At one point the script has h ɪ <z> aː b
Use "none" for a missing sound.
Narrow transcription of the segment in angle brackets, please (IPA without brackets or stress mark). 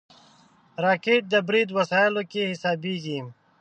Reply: s